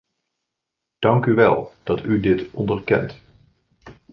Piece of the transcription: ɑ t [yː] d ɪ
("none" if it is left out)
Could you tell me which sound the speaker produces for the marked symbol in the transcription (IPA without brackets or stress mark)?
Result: y